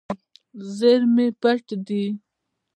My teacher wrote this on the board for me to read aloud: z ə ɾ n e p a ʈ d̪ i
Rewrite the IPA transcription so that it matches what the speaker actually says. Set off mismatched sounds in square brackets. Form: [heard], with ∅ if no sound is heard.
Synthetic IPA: z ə ɾ [m] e p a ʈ d̪ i